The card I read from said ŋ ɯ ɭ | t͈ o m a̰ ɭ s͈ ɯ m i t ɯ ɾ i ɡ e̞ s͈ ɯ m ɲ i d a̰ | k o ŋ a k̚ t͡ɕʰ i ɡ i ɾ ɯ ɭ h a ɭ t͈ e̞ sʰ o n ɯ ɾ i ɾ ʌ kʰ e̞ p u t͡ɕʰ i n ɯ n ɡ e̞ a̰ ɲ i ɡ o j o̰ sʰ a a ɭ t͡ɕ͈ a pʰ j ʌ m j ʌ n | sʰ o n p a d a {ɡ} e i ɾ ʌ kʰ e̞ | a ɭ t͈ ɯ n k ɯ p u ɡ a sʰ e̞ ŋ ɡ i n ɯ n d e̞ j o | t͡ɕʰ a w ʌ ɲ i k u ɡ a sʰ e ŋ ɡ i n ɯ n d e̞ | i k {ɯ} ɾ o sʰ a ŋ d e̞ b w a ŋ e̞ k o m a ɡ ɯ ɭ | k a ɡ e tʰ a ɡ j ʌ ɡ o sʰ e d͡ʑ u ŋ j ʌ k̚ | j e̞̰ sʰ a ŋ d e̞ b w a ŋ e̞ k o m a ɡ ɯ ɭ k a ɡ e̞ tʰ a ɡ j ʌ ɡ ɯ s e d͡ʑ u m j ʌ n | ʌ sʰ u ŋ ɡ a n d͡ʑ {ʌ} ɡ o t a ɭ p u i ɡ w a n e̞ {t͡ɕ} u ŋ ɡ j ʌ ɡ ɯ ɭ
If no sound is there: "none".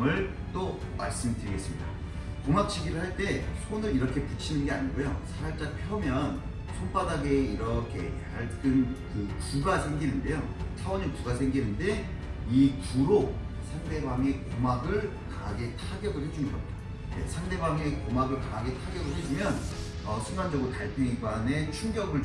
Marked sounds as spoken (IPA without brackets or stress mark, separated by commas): ɡ, u, ʌ, t͡ɕʰ